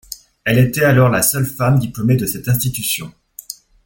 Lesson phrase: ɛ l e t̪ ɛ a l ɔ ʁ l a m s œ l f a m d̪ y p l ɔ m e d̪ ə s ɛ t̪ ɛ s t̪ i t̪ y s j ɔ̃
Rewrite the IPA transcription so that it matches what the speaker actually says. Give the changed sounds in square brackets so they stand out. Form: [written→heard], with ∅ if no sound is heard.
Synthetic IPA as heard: ɛ l e t̪ ɛ a l ɔ ʁ l a [m→∅] s œ l f a m d̪ [y→i] p l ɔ m e d̪ ə s ɛ t̪ [ɛ→ɛ̃] s t̪ i t̪ y s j ɔ̃